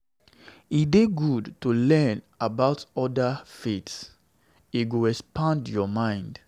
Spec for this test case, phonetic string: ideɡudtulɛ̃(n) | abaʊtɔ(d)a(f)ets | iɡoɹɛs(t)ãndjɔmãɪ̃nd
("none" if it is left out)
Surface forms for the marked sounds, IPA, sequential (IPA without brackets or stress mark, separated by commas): n, d, f, p